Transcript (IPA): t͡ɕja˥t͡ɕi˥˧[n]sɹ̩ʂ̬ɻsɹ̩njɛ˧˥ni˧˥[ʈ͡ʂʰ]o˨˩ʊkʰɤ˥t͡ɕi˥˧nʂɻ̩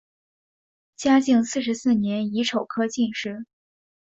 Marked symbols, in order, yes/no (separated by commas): no, yes